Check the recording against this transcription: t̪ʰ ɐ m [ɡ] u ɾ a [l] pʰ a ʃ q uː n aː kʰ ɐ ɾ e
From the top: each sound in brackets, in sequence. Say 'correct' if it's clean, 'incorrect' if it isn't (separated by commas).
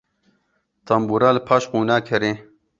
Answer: incorrect, correct